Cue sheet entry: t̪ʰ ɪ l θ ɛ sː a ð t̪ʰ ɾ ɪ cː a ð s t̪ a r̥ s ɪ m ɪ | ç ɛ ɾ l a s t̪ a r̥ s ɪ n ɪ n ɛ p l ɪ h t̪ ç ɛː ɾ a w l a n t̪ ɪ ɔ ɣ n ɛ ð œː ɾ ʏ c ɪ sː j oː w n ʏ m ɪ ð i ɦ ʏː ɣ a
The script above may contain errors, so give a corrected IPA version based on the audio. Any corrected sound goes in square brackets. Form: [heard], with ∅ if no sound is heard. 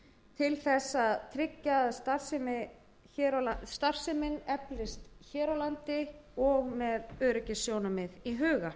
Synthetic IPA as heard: t̪ʰ ɪ l θ ɛ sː a ð t̪ʰ ɾ ɪ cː a ð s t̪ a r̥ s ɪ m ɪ | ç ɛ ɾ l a s t̪ a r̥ s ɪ [m] ɪ n ɛ p l ɪ [s] t̪ ç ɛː ɾ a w l a n t̪ ɪ ɔ ɣ [m] ɛ ð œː ɾ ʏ c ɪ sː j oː w n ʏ m ɪ ð i ɦ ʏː ɣ a